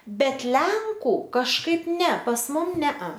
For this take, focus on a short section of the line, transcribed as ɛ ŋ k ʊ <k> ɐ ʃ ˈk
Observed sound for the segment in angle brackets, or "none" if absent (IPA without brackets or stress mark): k